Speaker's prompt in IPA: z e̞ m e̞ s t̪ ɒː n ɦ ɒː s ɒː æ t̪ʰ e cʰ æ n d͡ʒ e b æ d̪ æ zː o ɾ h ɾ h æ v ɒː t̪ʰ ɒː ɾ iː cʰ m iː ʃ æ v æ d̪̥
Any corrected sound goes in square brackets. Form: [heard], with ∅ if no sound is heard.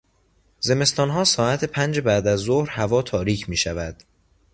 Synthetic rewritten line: z e̞ m e̞ s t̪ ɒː n ɦ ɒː s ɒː æ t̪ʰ e [pʰ] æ n d͡ʒ e b æ d̪ æ zː o [∅] h ɾ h æ v ɒː t̪ʰ ɒː ɾ iː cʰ m iː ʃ æ v æ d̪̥